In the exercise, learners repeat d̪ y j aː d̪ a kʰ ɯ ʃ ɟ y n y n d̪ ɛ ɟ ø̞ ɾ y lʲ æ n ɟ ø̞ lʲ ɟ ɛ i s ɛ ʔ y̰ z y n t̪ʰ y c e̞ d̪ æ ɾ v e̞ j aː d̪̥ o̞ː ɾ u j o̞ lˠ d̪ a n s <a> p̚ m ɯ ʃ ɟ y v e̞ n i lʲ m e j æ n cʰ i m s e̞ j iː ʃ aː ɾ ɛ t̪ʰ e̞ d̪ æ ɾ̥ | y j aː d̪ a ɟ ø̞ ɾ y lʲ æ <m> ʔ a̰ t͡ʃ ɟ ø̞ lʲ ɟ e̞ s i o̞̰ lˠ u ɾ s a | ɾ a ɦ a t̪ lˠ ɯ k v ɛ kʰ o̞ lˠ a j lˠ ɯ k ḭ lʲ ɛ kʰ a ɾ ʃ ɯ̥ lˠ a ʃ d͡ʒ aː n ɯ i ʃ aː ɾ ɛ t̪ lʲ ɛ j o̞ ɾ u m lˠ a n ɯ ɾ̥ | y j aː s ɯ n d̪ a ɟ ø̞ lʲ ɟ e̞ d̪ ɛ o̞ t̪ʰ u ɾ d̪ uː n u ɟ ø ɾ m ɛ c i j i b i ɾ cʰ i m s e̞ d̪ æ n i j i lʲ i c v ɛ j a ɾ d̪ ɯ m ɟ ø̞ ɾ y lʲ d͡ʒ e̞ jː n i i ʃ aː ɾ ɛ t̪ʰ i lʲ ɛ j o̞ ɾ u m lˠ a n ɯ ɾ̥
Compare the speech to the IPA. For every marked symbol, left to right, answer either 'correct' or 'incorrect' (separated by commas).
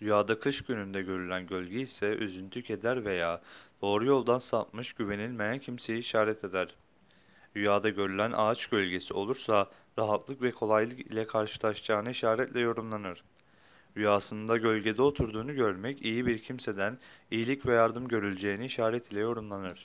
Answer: correct, incorrect